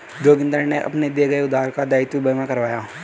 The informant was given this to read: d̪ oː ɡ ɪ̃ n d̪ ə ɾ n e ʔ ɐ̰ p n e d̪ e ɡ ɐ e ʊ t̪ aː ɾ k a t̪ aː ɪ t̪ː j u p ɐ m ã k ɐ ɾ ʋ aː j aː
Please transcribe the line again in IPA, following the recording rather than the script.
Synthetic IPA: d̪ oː ɡ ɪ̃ n d̪ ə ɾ n e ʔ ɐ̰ p n e d̪ e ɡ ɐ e ʊ d̪ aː ɾ k a d̪ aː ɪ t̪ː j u b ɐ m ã k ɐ ɾ ʋ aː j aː